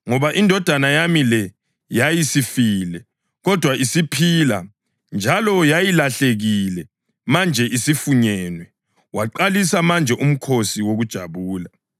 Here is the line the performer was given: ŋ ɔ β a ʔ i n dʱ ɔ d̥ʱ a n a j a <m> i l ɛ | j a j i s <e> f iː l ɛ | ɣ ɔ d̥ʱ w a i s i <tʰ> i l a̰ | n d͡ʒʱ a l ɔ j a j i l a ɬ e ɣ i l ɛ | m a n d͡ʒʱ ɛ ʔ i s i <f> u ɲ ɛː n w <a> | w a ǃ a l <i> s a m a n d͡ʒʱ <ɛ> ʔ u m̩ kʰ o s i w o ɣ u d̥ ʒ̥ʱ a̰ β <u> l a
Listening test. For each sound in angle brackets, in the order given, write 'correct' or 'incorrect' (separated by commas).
correct, incorrect, incorrect, correct, incorrect, correct, correct, incorrect